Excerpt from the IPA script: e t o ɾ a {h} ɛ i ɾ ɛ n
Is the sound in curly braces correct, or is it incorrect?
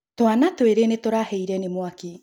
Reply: correct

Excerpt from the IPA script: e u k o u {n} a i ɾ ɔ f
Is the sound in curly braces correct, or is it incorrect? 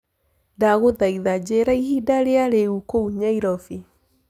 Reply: incorrect: ɲ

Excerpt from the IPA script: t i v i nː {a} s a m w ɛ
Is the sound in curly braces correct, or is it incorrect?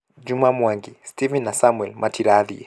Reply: correct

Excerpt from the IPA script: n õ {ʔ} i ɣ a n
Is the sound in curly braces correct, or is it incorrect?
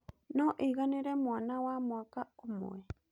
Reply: correct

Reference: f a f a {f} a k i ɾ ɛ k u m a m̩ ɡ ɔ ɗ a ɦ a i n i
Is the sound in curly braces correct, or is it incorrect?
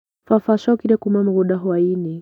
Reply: incorrect: ʃ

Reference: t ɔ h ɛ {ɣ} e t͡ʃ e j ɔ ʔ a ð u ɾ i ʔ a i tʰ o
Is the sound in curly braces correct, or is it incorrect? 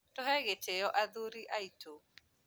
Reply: correct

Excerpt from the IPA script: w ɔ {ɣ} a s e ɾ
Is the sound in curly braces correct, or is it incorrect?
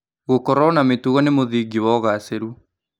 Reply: correct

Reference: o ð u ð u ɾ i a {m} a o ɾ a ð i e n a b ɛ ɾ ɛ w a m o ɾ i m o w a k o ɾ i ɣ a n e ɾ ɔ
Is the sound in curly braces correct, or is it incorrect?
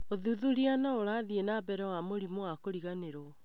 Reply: incorrect: n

